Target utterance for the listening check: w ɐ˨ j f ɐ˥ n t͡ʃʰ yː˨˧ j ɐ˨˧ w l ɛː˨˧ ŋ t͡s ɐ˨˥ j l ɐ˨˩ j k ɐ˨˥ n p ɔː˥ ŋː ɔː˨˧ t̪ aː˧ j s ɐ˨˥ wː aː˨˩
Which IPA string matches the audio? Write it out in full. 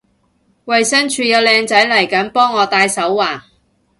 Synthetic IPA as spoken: w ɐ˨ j s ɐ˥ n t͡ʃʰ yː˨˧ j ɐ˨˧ w l ɛː˨˧ ŋ t͡s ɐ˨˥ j l ɐ˨˩ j k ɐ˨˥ n p ɔː˥ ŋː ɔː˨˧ t̪ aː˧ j s ɐ˨˥ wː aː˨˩